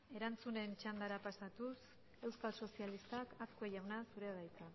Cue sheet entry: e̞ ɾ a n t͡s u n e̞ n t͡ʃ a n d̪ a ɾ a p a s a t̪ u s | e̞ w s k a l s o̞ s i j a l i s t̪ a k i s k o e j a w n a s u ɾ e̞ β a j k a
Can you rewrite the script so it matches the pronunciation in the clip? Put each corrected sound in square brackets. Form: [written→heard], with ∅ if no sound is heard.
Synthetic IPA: e̞ ɾ a n t͡s u n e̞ n t͡ʃ a n d̪ a ɾ a p a s a t̪ u s | e̞ w s k a l s o̞ s i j a l i s t̪ a k [i→a] s k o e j a w n a s u ɾ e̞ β a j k a